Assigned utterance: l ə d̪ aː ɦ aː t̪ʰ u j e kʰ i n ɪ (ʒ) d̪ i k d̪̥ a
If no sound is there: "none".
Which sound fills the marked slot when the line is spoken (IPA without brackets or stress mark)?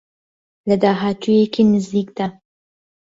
z